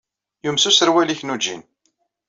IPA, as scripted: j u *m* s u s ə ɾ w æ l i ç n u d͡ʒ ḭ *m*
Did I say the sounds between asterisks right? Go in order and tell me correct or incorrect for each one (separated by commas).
correct, incorrect